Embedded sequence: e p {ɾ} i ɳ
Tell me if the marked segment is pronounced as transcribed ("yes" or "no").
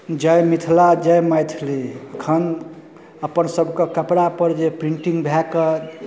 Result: yes